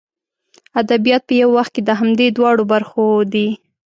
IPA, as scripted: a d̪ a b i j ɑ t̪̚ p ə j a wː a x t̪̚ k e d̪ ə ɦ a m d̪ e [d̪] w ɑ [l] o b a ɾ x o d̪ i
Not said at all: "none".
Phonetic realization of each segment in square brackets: d̪, ɽ

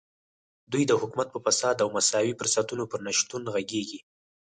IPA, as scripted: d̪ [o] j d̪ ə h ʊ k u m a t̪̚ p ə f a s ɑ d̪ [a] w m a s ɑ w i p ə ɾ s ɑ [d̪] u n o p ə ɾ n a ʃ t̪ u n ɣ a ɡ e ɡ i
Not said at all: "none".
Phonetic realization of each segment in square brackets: u, a, t̪

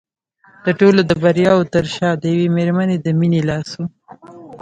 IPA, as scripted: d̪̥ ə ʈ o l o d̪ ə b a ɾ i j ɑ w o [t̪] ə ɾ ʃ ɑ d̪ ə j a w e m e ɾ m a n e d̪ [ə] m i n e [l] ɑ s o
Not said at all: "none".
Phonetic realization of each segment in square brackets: t̪, ə, l

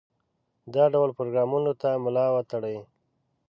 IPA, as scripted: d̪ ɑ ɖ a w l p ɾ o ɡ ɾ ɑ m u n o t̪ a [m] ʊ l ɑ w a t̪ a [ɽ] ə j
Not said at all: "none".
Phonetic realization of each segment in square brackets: m, ɽ

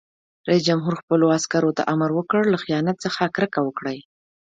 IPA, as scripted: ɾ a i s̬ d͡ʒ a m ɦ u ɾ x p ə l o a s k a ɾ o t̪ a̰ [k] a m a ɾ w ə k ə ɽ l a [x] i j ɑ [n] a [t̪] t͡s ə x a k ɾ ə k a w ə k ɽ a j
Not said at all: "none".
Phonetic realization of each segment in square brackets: ʔ, x, n, t̪

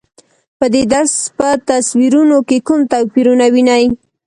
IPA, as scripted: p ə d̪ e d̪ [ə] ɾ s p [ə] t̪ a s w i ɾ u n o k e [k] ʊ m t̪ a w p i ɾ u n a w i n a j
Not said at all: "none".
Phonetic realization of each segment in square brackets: a, ə, k

